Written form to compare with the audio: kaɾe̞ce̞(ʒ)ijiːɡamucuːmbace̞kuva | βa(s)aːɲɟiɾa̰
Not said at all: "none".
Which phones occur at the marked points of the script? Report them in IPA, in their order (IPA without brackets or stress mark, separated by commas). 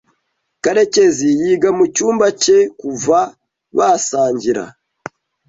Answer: z, s